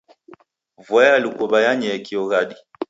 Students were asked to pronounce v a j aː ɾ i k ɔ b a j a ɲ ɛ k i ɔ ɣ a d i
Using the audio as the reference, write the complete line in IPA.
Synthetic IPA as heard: v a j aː l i k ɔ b a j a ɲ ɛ k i ɔ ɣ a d i